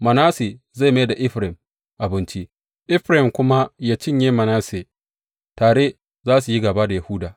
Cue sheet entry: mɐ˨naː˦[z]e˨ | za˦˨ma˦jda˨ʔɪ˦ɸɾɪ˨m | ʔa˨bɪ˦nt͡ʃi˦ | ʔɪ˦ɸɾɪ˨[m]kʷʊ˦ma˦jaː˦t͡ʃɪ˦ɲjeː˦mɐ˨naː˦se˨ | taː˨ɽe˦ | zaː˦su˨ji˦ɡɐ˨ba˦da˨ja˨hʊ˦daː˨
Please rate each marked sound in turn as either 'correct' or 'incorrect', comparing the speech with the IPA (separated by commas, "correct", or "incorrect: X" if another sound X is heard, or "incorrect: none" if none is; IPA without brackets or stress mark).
incorrect: s, correct